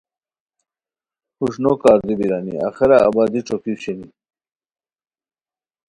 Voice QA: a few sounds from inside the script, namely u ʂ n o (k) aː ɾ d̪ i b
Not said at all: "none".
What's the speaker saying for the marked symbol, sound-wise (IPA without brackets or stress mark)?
k